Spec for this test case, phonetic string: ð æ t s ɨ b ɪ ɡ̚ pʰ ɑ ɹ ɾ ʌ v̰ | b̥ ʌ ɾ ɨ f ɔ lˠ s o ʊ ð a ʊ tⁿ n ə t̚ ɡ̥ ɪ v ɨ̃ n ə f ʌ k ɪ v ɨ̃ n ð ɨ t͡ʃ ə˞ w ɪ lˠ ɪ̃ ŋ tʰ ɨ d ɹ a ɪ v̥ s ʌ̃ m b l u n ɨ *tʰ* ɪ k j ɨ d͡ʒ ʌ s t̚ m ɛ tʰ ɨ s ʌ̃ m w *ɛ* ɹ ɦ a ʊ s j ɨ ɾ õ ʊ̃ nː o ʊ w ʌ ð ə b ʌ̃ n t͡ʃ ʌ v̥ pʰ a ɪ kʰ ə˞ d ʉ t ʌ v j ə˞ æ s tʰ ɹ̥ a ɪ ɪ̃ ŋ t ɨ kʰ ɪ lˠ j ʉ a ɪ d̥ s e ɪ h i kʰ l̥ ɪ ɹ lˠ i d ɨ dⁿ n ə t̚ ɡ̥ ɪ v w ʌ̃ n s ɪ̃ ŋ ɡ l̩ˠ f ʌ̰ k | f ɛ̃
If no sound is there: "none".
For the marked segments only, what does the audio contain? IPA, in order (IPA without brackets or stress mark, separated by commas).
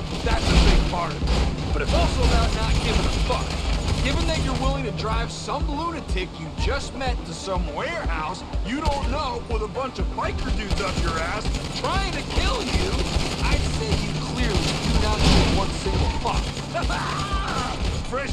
tʰ, ɛ